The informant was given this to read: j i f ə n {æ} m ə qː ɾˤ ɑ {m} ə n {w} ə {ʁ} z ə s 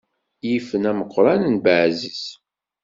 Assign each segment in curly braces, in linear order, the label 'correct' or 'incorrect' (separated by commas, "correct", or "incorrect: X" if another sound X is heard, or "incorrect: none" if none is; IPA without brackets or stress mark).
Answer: correct, incorrect: n, incorrect: b, incorrect: ʕ